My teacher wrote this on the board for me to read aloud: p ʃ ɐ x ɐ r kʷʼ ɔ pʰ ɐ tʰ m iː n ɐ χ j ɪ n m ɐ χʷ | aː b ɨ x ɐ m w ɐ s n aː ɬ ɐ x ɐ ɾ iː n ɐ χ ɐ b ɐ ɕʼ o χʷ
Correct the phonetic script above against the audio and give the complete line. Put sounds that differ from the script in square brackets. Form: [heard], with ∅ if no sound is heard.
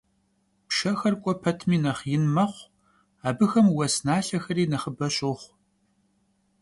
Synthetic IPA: p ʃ ɐ x ɐ r kʷʼ ɔ pʰ ɐ tʰ m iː n ɐ χ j ɪ n m ɐ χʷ | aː b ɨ x ɐ m w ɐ s n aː ɬ ɐ x ɐ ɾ iː n ɐ χ [ə] b ɐ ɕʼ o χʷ